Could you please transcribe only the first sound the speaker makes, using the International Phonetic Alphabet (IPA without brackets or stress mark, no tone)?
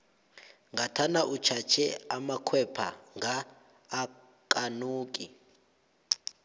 ŋ